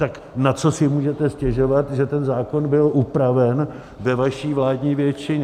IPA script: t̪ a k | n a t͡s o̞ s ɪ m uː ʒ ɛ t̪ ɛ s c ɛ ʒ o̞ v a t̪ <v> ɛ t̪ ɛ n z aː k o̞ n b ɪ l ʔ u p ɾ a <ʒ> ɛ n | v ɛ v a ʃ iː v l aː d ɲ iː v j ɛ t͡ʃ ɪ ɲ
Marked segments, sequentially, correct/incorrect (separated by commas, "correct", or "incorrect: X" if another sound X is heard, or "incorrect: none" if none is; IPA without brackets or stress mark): incorrect: ʒ, incorrect: v